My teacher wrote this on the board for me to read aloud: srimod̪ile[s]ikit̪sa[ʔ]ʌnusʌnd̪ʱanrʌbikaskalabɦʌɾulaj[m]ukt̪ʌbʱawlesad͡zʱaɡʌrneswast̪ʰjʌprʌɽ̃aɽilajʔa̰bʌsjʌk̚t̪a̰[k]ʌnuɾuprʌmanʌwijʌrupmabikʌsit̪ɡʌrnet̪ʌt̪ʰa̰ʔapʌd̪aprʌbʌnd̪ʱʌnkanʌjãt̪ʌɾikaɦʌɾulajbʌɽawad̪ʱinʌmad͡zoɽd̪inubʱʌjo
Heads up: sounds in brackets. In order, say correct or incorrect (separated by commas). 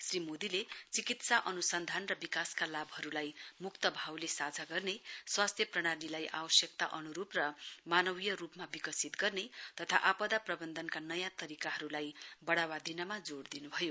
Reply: incorrect, correct, correct, incorrect